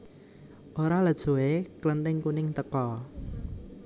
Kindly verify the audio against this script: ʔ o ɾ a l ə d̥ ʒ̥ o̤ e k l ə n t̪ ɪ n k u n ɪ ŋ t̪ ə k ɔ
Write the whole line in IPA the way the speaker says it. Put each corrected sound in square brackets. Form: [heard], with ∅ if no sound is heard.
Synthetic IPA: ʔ o ɾ a l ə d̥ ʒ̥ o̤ e k l ə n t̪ ɪ [ŋ] k u n ɪ ŋ t̪ ə k ɔ